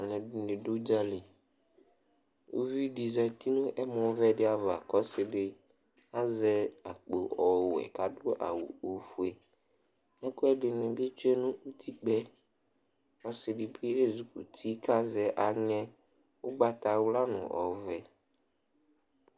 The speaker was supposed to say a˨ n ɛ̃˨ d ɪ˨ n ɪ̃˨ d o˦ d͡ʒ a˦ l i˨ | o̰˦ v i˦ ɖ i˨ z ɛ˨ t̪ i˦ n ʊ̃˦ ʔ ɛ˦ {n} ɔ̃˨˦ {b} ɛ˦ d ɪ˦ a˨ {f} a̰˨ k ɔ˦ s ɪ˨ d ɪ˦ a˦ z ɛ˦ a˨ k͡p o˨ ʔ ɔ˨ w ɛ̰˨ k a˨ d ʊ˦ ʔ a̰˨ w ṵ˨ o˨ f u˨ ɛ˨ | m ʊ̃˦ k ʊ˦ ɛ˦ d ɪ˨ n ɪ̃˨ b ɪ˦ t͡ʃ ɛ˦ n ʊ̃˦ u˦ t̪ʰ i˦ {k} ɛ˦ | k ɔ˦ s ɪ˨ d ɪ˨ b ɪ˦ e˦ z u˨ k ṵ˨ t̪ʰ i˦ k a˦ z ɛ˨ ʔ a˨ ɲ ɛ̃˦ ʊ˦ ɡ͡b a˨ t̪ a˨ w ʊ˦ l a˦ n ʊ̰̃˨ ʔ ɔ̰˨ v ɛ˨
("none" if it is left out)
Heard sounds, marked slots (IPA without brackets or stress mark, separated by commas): m, v, v, k͡p